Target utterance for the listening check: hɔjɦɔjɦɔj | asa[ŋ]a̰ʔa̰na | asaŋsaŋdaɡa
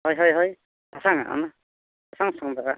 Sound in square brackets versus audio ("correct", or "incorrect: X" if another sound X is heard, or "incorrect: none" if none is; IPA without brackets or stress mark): correct